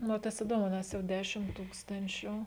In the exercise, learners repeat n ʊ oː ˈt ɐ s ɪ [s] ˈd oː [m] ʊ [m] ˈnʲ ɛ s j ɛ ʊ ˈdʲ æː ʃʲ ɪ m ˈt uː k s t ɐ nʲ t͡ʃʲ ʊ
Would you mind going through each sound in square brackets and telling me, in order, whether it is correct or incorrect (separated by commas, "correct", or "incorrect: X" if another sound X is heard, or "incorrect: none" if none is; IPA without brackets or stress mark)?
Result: incorrect: none, correct, incorrect: none